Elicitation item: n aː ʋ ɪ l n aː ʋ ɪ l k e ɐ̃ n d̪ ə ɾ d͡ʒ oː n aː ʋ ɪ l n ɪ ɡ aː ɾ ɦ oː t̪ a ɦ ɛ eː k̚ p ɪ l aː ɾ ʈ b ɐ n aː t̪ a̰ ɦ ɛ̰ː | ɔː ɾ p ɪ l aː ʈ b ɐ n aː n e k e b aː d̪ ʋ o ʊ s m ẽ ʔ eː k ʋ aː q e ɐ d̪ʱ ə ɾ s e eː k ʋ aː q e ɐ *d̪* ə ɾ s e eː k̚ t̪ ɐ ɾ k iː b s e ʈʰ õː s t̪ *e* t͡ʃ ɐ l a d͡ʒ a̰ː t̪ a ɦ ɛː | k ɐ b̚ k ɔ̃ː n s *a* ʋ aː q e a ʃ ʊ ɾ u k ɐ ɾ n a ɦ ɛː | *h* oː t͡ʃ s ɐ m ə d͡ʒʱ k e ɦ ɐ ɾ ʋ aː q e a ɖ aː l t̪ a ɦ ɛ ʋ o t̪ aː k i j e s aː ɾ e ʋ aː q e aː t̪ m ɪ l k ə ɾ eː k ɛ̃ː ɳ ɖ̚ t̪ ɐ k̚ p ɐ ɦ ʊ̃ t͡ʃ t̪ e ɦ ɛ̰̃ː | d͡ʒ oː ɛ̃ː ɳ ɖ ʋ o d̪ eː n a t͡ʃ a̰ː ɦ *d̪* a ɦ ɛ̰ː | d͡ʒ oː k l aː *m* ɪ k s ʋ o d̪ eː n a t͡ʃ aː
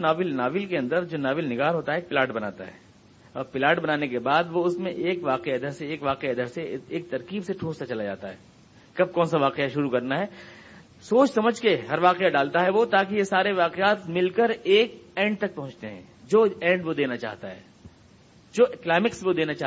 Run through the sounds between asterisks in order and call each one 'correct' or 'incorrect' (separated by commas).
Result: correct, incorrect, correct, incorrect, incorrect, correct